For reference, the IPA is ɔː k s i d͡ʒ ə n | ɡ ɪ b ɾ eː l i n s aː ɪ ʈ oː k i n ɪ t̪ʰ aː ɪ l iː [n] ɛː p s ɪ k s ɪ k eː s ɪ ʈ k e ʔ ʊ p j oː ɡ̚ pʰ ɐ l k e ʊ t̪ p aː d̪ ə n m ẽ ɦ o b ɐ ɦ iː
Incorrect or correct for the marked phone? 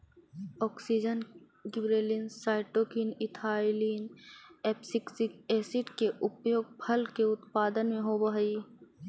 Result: correct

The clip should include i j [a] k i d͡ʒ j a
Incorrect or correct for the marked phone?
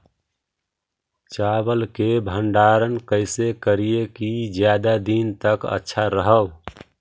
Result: incorrect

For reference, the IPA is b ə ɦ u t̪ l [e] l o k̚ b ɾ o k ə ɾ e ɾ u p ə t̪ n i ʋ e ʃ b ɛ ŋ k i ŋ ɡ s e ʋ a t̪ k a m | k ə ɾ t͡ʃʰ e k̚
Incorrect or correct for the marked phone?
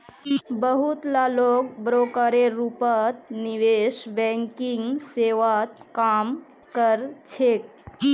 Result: incorrect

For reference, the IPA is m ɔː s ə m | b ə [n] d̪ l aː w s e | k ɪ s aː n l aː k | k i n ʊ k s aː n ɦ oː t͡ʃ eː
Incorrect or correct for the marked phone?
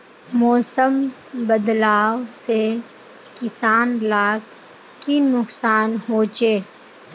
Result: incorrect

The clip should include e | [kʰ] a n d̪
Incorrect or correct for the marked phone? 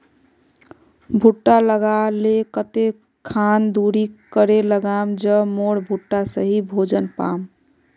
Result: correct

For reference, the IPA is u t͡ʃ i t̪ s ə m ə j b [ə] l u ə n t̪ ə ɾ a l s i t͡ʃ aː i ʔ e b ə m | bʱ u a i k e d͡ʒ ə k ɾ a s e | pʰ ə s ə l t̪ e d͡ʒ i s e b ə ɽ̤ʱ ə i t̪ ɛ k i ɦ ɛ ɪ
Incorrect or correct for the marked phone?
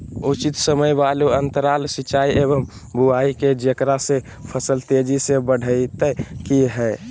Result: incorrect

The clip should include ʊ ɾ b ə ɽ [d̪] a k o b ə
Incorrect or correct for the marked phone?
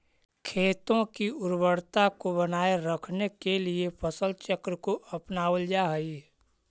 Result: incorrect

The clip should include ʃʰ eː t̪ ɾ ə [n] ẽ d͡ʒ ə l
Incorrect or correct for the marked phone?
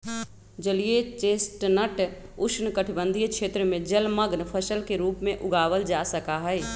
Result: incorrect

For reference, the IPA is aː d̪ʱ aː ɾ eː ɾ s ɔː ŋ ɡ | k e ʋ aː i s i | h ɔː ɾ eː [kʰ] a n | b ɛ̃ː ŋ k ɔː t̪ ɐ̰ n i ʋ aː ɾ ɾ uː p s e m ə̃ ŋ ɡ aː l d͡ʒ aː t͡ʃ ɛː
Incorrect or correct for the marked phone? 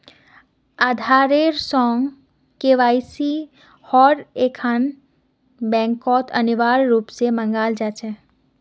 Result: correct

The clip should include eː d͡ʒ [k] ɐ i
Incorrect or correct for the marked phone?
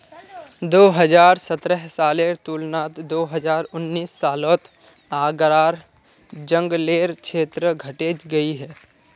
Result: incorrect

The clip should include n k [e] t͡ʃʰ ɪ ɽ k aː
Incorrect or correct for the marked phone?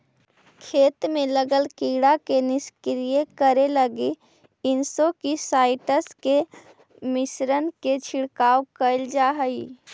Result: correct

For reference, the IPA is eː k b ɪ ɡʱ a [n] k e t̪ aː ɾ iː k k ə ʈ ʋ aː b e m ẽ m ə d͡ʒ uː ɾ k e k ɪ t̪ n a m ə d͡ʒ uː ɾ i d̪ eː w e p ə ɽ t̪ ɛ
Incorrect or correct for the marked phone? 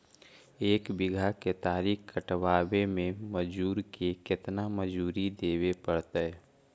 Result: incorrect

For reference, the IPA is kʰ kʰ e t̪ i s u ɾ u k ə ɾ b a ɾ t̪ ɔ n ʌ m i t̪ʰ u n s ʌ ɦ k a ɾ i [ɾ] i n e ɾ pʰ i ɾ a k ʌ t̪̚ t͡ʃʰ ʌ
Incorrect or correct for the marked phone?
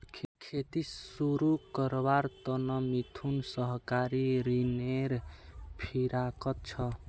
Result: correct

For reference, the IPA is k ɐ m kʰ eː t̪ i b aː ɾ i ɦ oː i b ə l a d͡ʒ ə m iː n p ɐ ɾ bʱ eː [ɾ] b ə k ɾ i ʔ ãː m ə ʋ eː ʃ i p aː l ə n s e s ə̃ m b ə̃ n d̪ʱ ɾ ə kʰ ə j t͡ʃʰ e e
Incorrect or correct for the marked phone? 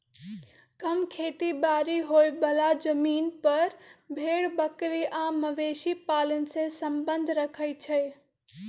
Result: incorrect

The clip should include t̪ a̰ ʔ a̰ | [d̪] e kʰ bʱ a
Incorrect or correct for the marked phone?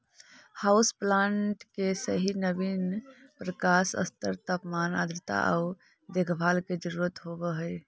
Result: correct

